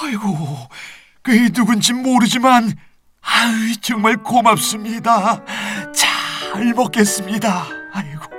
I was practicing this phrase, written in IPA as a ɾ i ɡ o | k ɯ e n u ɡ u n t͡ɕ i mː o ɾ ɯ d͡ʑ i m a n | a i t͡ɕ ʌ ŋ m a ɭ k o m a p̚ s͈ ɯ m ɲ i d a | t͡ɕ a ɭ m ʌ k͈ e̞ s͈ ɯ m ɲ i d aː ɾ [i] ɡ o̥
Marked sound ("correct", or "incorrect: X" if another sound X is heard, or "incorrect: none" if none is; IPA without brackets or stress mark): correct